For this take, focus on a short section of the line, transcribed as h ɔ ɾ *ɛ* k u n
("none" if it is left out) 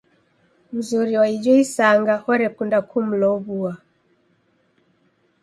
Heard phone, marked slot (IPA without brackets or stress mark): ɛ